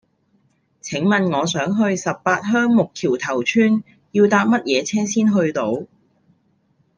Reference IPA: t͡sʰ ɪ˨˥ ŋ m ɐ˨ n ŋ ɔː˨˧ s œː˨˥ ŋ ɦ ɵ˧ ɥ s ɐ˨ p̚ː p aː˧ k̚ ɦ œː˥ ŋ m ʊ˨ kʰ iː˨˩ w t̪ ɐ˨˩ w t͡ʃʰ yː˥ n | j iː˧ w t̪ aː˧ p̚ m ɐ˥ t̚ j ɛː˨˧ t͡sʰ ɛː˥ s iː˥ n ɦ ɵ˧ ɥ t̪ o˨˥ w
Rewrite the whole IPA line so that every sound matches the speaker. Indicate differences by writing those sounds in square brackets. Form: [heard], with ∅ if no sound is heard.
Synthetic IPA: t͡sʰ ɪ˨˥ ŋ m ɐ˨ n ŋ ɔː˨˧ s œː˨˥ ŋ ɦ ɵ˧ ɥ s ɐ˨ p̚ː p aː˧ [t̚] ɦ œː˥ ŋ m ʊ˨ kʰ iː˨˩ w [t̪ʰ] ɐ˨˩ w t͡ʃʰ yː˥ n | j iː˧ w t̪ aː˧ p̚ m ɐ˥ t̚ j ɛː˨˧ t͡sʰ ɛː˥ s iː˥ n ɦ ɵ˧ ɥ t̪ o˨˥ w